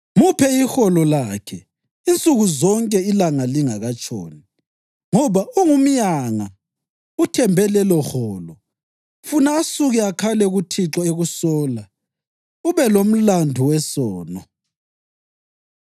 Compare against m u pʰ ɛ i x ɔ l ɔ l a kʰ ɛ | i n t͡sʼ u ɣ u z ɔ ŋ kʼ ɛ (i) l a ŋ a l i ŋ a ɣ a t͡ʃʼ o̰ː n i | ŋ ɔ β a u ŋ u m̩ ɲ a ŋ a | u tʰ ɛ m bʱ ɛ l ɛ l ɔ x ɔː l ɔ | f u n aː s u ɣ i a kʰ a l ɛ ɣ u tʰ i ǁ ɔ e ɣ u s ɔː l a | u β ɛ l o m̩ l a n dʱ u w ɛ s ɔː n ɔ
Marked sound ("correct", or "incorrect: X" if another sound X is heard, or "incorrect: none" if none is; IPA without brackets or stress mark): correct